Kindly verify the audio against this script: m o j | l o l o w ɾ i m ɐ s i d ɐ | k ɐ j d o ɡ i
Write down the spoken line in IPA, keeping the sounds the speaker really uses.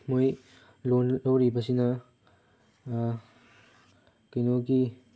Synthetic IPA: m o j | l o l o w ɾ i b ɐ s i n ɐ | k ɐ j n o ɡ i